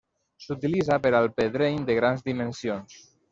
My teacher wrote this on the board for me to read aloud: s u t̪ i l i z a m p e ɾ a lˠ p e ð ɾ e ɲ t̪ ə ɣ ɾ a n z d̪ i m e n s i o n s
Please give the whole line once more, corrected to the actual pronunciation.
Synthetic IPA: s u t̪ i l i z a p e ɾ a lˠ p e ð ɾ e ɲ d̪ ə ɣ ɾ a n z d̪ i m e n s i o n s